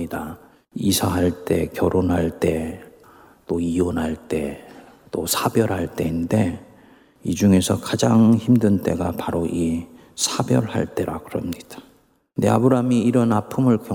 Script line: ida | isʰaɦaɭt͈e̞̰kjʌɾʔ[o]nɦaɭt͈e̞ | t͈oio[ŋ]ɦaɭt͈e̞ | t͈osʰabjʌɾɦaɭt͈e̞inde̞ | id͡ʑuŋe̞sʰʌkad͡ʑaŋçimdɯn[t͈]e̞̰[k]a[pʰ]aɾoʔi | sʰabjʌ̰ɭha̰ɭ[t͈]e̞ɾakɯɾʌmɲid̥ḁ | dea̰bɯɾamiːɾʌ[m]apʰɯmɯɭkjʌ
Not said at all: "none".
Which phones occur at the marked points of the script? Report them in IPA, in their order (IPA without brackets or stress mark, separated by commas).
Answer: o, n, t͈, ɡ, p, t͈, n